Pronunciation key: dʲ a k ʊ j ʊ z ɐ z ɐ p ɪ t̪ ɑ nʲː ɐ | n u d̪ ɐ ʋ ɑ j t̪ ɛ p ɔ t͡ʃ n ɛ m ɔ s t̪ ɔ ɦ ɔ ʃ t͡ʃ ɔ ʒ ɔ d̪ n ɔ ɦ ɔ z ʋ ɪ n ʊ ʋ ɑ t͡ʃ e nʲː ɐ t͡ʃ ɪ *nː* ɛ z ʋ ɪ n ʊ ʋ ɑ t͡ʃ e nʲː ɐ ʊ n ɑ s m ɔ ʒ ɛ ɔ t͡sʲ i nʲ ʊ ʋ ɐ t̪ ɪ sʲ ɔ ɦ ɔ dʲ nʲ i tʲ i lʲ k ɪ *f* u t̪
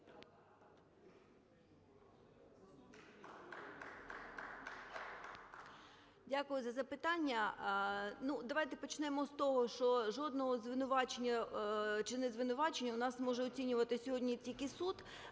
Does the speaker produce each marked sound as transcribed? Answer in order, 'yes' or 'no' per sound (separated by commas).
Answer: no, no